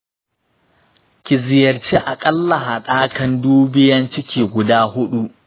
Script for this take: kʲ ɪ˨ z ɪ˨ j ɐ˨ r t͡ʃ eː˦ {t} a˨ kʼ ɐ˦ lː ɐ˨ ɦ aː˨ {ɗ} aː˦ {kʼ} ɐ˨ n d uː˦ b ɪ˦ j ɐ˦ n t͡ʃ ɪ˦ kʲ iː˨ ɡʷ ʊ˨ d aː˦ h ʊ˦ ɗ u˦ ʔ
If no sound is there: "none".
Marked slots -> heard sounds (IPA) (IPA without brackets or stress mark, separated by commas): ʔ, ɗ, k